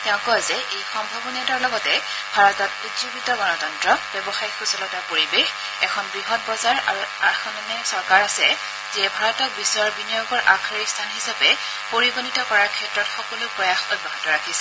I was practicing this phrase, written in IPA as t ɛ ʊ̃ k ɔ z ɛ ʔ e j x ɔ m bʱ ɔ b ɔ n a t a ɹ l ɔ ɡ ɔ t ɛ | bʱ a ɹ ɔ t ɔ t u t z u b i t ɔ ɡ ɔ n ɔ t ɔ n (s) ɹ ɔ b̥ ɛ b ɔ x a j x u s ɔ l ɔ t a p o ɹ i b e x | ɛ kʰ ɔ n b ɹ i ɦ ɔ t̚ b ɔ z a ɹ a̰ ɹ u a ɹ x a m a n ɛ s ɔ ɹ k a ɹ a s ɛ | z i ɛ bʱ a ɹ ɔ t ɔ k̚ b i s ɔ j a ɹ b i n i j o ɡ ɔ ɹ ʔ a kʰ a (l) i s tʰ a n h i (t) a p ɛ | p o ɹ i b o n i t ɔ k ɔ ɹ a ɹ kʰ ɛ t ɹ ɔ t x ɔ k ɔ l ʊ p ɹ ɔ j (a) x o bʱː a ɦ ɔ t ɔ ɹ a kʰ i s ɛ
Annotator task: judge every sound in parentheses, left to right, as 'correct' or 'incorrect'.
incorrect: t, incorrect: ɹ, incorrect: s, correct

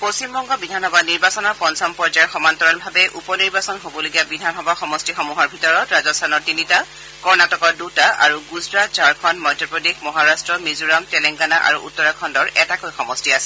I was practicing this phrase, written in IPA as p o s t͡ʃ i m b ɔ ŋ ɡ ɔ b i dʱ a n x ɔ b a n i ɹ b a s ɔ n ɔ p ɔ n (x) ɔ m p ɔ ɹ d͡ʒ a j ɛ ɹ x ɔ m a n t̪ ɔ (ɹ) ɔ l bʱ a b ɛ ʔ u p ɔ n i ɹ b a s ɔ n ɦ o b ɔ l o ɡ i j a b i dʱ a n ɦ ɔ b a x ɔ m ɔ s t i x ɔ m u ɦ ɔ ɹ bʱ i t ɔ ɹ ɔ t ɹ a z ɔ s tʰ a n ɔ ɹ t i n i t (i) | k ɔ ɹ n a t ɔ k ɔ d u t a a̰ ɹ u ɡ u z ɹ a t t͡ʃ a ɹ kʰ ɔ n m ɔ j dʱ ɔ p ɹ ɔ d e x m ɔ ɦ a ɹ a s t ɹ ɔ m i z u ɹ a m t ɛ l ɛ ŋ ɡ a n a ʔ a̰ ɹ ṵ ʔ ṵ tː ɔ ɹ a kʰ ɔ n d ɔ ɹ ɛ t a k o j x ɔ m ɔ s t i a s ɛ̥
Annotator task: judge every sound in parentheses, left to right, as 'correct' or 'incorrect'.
incorrect: s, correct, incorrect: a

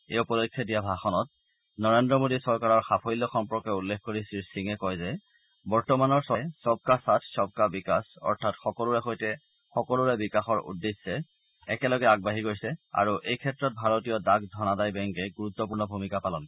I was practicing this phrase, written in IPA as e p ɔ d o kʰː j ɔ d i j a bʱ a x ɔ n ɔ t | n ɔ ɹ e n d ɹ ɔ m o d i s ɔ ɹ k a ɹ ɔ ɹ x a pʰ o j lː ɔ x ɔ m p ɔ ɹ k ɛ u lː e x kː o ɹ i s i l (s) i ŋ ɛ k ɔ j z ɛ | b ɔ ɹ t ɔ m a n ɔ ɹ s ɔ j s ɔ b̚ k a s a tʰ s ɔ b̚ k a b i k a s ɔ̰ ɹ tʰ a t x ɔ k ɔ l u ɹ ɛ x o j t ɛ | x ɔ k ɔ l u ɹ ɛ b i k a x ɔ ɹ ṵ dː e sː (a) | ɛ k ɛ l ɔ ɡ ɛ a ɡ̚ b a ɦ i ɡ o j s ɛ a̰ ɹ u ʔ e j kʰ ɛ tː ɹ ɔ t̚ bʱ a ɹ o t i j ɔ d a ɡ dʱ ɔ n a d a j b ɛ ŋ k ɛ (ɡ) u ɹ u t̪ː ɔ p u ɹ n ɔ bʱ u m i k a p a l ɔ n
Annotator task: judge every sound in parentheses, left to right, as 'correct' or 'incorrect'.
correct, incorrect: ɛ, correct

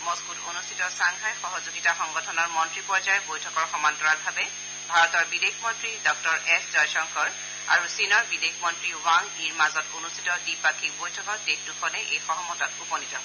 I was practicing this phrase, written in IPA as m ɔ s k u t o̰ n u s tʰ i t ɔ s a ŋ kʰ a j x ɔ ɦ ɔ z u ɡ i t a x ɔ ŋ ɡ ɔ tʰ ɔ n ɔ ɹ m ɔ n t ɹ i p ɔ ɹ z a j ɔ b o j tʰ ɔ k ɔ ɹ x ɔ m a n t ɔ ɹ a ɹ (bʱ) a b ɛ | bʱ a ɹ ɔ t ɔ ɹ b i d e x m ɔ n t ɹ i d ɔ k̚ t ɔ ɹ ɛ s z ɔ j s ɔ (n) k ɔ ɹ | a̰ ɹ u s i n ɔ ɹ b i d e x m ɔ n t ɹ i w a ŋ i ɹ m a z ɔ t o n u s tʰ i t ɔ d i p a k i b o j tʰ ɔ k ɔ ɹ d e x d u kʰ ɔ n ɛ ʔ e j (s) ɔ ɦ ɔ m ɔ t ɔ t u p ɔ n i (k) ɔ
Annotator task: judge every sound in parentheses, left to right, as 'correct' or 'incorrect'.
correct, incorrect: ŋ, incorrect: x, incorrect: t

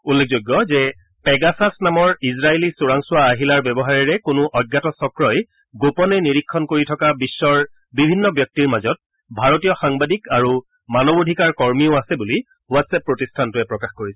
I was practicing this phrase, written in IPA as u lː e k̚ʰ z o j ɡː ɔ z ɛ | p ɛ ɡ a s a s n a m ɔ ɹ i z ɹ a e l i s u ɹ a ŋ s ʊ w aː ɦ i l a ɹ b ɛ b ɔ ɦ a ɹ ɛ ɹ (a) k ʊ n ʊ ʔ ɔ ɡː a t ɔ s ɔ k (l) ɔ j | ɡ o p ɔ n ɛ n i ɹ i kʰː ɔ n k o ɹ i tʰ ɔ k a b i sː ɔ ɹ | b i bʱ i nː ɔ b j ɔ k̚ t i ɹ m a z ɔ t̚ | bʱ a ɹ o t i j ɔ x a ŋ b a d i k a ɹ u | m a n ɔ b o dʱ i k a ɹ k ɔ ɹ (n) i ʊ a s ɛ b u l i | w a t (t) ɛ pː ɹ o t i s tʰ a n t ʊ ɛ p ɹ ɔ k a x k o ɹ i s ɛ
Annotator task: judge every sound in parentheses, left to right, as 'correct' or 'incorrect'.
incorrect: ɛ, incorrect: ɹ, incorrect: m, incorrect: s

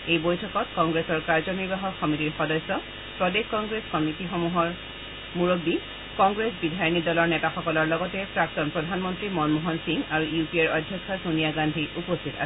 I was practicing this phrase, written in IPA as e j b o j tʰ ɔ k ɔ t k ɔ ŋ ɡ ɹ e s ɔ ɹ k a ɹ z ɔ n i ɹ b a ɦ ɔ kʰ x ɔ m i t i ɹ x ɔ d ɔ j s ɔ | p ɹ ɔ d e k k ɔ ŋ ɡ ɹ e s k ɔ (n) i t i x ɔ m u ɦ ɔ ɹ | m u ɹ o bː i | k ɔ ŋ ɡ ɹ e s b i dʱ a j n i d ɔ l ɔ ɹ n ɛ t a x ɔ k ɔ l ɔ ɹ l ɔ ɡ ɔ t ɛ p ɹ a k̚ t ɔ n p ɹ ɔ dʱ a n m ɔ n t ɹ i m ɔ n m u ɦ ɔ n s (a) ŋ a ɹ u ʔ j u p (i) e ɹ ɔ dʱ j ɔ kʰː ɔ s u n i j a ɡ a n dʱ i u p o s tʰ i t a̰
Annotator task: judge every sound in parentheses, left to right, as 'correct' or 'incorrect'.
incorrect: m, incorrect: i, correct

